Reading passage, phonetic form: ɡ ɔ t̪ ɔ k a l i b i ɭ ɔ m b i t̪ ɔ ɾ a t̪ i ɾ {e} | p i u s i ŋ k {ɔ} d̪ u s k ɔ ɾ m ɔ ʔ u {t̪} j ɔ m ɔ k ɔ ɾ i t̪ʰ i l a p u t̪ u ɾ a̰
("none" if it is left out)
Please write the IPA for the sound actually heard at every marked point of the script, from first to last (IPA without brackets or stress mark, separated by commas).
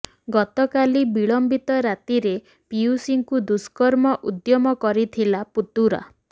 e, u, d̪